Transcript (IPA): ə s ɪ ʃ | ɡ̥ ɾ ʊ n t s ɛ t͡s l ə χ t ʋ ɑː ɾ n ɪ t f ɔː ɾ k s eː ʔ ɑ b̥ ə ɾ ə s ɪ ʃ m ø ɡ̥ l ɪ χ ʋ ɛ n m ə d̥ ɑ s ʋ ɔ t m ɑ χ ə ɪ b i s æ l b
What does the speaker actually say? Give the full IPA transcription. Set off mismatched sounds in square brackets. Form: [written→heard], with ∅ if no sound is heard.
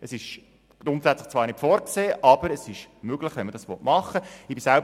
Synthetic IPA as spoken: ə s ɪ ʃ | ɡ̥ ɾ ʊ n t s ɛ t͡s l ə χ [t→t͡s] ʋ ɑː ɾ n ɪ t f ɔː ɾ k s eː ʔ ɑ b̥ ə ɾ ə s ɪ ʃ m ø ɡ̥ l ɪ χ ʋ ɛ n m ə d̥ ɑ s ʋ ɔ t m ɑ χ ə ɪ b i s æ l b

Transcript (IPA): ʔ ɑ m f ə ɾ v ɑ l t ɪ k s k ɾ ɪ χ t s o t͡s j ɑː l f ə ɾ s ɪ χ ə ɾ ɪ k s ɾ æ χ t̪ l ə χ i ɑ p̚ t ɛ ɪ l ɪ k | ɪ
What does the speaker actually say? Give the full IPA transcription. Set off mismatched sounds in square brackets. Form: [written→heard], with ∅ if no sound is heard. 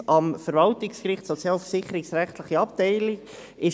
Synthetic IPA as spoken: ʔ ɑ m f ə ɾ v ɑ l t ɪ k s k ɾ ɪ χ t s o t͡s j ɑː l f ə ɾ s ɪ χ ə ɾ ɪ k s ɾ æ χ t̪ l ə χ i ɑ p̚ t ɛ ɪ l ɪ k | ɪ

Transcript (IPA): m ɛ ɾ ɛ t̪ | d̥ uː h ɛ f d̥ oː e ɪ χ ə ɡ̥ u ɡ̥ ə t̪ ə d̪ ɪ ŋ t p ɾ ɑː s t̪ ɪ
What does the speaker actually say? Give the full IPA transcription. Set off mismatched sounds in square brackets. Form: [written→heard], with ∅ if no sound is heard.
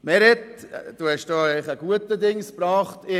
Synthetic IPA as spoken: m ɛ ɾ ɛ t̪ | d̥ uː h ɛ [f→ʃ] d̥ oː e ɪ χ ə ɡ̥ u [ɡ̥→∅] ə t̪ ə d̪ ɪ ŋ [t→s] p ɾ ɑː [s→χ] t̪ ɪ

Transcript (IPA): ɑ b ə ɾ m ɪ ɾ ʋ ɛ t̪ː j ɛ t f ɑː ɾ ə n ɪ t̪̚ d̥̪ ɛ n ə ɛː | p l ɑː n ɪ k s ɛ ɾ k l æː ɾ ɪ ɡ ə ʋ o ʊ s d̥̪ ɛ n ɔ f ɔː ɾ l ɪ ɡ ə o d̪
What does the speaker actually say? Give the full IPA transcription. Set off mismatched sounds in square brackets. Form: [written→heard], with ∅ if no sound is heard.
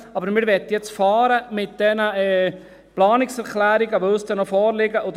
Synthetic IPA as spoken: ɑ b ə ɾ m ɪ ɾ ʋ ɛ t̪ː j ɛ [t→t͡s] f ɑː ɾ ə [n→m] ɪ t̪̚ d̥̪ ɛ n ə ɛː | p l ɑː n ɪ k s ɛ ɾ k l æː ɾ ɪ ɡ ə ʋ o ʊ s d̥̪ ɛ n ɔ f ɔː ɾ l ɪ ɡ ə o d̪

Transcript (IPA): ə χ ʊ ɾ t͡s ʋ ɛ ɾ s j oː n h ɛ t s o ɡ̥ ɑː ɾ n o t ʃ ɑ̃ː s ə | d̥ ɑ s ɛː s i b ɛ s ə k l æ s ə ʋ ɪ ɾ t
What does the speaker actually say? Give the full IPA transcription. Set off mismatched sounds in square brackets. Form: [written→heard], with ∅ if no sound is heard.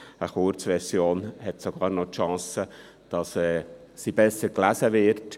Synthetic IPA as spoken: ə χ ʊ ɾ t͡s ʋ ɛ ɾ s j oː n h ɛ t s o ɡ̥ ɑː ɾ n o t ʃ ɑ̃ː s ə | d̥ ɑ s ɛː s i b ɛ s ə k l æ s ə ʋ ɪ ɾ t

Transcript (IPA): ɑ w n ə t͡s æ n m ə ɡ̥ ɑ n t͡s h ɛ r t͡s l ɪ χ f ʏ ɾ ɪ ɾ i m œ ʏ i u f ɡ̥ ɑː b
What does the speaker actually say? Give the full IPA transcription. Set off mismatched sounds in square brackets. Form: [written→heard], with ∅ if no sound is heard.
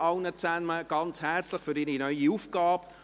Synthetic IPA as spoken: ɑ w n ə t͡s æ n m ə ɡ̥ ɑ n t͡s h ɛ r t͡s l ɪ χ f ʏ ɾ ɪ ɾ i [m→n] œ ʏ i u f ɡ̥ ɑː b

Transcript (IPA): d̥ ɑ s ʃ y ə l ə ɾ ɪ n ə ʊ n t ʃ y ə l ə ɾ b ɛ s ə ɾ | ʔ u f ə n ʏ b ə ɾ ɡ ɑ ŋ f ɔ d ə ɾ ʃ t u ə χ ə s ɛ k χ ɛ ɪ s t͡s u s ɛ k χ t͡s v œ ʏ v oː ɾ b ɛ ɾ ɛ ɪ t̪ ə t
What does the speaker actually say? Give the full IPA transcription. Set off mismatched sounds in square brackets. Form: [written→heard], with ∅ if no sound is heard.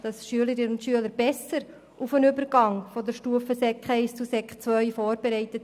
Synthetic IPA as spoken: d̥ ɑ s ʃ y ə l ə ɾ ɪ n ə ʊ n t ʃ y ə l ə ɾ b ɛ s ə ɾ | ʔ u f ə n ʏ b ə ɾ ɡ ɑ ŋ f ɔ d ə ɾ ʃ t u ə [χ→f] ə s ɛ k χ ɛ ɪ s t͡s u s ɛ k χ t͡s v œ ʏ [v→f] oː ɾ b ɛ ɾ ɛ ɪ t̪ ə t

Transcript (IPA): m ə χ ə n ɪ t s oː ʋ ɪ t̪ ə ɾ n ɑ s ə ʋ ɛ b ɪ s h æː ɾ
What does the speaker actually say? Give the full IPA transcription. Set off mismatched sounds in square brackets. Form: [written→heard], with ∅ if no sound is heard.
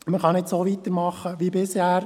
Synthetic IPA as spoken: m ə χ [ə→ɑ] n ɪ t s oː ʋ [ɪ→i] t̪ ə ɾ [n→m] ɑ [s→χ] ə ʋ [ɛ→i] b ɪ s h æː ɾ

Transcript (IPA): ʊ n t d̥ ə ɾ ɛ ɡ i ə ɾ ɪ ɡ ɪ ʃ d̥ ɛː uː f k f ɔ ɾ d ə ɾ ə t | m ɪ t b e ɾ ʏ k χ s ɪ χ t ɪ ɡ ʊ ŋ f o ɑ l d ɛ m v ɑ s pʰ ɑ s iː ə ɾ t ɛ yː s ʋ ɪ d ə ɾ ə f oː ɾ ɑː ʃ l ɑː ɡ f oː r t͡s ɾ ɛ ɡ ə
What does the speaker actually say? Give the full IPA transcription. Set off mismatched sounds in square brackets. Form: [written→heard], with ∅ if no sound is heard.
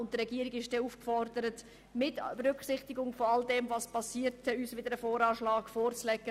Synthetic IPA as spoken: ʊ n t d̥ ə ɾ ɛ ɡ i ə ɾ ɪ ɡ ɪ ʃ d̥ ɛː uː f k f ɔ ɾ d ə ɾ ə t | m ɪ t b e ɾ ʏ k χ s ɪ χ t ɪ ɡ ʊ ŋ f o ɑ l d ɛ m v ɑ s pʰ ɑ s iː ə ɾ t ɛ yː s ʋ ɪ d ə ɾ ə f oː ɾ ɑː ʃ l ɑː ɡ f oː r t͡s [ɾ→l] ɛ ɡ ə

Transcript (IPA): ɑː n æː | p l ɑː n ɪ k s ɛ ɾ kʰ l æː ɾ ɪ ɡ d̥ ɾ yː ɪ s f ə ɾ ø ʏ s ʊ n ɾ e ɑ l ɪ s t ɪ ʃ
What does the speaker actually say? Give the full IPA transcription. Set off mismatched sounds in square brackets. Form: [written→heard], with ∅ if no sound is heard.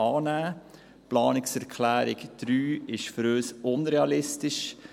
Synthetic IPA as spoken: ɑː n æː | p l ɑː n ɪ k s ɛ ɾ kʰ l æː ɾ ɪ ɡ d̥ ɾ yː ɪ [s→ʃ] f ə ɾ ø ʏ s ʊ n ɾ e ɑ l ɪ s t ɪ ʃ

